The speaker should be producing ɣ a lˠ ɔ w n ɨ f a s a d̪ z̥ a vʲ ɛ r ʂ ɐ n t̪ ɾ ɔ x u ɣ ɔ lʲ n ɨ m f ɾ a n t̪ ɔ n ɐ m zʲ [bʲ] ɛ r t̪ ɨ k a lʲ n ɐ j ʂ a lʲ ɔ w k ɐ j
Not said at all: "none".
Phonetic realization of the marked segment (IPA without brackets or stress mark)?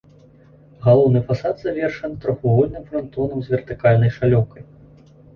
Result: vʲ